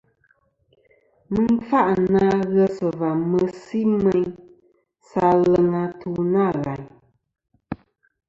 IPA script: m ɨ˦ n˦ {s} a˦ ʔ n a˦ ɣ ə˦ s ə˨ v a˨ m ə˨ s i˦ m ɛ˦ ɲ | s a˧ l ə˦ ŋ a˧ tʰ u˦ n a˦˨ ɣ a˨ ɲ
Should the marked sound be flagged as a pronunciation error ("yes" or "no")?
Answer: yes